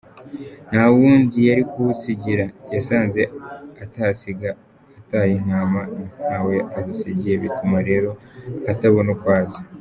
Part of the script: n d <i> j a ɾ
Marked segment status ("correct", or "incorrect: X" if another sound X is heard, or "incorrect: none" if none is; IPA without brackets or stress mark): correct